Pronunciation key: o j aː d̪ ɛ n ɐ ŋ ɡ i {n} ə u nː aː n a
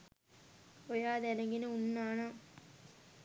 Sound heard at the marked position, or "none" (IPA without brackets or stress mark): n